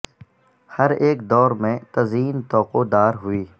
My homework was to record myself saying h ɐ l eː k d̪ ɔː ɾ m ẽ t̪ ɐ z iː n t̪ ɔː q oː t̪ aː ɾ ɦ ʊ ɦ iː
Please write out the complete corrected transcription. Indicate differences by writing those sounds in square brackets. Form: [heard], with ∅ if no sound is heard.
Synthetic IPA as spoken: h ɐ [ɾ] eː k d̪ ɔː ɾ m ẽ t̪ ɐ z iː n t̪ ɔː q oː [d̪] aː ɾ ɦ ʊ [∅] iː